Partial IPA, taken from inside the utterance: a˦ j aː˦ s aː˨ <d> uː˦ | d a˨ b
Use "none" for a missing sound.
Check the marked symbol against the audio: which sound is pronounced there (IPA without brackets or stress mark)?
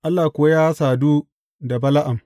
d